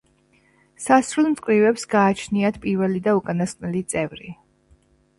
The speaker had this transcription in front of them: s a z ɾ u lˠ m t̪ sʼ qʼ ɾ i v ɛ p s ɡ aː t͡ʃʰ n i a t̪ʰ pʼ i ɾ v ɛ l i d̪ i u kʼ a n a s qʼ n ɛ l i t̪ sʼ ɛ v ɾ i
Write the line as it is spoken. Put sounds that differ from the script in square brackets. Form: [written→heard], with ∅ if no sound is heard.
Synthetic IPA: s a [z→s] ɾ u lˠ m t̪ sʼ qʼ ɾ i v ɛ p s ɡ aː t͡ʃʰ n i a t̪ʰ pʼ i ɾ v ɛ l i d̪ [i→a] u kʼ a n a s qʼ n ɛ l i t̪ sʼ ɛ v ɾ i

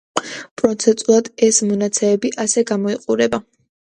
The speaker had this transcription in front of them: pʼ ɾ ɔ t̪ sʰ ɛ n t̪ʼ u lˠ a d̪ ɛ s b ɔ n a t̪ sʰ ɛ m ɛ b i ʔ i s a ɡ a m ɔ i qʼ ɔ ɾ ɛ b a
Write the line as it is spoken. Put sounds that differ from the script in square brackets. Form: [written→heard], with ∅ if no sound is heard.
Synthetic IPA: pʼ ɾ ɔ t̪ sʰ ɛ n t̪ʼ u lˠ a d̪ ɛ s [b→m] ɔ n a t̪ sʰ ɛ m ɛ b i ʔ [i→a] s [a→ɛ] ɡ a m ɔ i qʼ [ɔ→u] ɾ ɛ b a

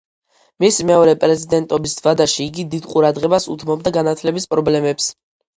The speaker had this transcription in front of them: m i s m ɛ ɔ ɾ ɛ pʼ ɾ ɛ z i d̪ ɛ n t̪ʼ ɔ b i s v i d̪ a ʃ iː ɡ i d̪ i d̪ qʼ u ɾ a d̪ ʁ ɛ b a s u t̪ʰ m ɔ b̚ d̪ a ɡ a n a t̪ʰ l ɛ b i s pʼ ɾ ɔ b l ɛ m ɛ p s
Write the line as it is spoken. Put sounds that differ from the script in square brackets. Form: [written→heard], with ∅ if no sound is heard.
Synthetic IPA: m i s m ɛ ɔ ɾ ɛ pʼ ɾ ɛ z i d̪ ɛ n t̪ʼ ɔ b i s v [i→a] d̪ a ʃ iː ɡ i d̪ i d̪ qʼ u ɾ a d̪ ʁ ɛ b a s u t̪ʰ m ɔ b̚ d̪ a ɡ a n a t̪ʰ l ɛ b i s pʼ ɾ ɔ b l ɛ m ɛ p s

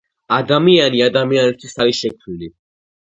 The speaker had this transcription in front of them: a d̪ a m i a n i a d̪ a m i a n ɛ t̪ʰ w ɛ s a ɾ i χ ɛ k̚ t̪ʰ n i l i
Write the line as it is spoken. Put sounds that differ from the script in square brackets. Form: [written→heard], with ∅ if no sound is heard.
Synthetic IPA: a d̪ a m i a n i a d̪ a m i a n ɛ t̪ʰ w [ɛ→i] s a ɾ i [χ→ʃ] ɛ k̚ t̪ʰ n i l i

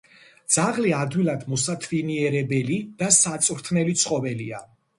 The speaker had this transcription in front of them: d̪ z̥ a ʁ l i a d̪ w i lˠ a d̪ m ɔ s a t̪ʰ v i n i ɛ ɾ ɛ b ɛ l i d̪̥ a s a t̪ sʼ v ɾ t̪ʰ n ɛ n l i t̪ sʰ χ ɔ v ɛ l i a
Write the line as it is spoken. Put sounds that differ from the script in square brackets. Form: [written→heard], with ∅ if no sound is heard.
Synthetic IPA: d̪ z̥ a ʁ l i a d̪ w i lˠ a d̪ m ɔ s a t̪ʰ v i n i ɛ ɾ ɛ b ɛ l i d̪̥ a s a t̪ sʼ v ɾ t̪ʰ n ɛ [n→∅] l i t̪ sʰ χ ɔ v ɛ l i a

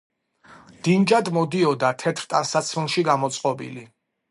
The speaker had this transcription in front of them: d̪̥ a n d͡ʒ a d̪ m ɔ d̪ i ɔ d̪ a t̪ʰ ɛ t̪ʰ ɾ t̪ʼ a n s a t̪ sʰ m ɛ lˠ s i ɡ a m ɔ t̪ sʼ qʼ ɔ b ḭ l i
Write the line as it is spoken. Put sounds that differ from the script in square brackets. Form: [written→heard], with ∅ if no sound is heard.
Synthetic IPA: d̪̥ [a→i] n d͡ʒ a d̪ m ɔ d̪ i ɔ d̪ a t̪ʰ ɛ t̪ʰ ɾ t̪ʼ a n s a t̪ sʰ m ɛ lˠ [s→ʃ] i ɡ a m ɔ t̪ sʼ qʼ ɔ b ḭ l i

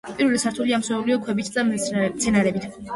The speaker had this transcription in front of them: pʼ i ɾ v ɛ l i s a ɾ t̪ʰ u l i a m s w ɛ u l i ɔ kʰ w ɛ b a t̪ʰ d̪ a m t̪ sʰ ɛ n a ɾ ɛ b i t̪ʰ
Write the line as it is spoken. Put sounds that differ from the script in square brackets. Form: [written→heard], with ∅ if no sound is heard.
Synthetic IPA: pʼ i ɾ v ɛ l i s a ɾ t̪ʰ u l i a m s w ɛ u l i ɔ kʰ w ɛ b [a→i] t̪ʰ d̪ a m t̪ sʰ ɛ n a ɾ ɛ b i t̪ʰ

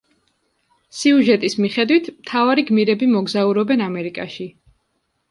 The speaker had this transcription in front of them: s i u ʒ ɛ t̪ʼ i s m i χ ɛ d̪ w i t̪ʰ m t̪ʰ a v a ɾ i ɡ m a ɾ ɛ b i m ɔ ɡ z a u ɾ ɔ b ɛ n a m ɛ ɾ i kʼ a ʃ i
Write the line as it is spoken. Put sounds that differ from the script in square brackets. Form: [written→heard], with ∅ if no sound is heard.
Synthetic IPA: s i u ʒ ɛ t̪ʼ i s m i χ ɛ d̪ w i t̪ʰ m t̪ʰ a v a ɾ i ɡ m [a→i] ɾ ɛ b i m ɔ ɡ z a u ɾ ɔ b ɛ n a m ɛ ɾ i kʼ a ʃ i

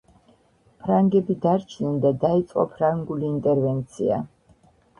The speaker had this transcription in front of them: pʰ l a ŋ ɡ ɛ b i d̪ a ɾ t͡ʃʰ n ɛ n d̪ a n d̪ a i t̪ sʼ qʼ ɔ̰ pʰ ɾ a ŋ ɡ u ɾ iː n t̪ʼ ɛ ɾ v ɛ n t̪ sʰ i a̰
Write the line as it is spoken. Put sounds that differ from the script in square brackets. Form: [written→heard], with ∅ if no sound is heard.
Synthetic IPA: pʰ [l→ɾ] a ŋ ɡ ɛ b i d̪ a ɾ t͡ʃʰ n ɛ n d̪ a [n→∅] d̪ a i t̪ sʼ qʼ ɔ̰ pʰ ɾ a ŋ ɡ u [ɾ→l] iː n t̪ʼ ɛ ɾ v ɛ n t̪ sʰ i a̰

